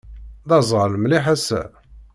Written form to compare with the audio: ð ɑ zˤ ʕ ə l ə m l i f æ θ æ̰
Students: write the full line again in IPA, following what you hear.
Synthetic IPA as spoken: ð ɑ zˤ ʁ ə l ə m l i ħ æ s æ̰

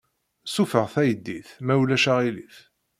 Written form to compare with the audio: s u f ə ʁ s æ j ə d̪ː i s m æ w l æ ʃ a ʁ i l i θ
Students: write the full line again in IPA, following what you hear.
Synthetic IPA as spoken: s u f ə ʁ θ æ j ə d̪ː i θ m æ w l æ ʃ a ʁ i l i θ

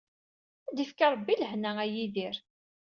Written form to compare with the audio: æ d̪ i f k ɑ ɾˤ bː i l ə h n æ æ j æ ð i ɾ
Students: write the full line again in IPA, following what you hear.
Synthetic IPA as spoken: æ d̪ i f k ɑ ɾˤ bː i l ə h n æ æ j i ð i ɾ

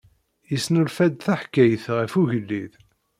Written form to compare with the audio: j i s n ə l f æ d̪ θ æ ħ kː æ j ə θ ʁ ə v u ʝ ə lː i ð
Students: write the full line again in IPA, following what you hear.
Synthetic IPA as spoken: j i s n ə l f æ d̪ θ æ ħ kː æ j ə θ ʁ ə f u ʝ ə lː i ð

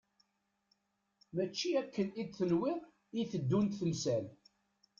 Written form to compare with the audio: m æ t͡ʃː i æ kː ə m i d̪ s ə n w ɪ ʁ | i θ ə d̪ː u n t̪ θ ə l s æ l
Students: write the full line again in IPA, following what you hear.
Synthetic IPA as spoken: m æ t͡ʃː i æ kː ə n i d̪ θ ə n w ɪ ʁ | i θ ə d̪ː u n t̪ θ ə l s æ l

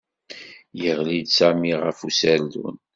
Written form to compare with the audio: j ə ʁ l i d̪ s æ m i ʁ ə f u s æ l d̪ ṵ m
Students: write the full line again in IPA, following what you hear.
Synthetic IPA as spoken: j ə ʁ l i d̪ s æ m i ʁ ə f u s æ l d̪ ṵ n

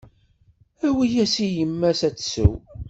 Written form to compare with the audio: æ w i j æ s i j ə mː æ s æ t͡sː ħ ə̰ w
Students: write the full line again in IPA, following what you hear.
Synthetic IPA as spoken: æ w i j æ s i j ə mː æ s æ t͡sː s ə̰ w

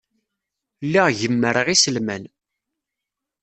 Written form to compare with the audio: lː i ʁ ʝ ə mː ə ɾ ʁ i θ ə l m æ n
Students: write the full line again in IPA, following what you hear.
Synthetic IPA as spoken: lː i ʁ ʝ ə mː ə ɾ ʁ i s ə l m æ n

